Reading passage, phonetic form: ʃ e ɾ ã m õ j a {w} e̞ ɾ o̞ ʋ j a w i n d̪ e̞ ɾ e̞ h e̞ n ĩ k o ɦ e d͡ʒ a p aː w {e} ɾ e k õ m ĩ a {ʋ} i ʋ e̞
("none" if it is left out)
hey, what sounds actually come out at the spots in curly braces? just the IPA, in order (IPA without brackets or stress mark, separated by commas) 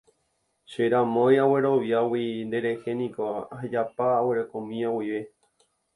w, e, w